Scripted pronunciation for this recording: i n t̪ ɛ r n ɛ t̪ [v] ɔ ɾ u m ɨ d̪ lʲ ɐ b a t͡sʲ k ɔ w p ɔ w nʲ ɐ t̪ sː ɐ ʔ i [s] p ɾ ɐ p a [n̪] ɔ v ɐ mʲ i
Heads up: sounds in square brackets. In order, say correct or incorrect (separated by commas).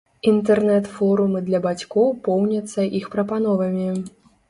incorrect, incorrect, correct